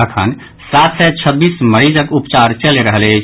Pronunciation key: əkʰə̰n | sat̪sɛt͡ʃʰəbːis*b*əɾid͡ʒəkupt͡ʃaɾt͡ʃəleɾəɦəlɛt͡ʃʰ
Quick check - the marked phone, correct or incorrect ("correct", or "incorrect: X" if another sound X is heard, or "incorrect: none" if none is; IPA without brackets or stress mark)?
incorrect: m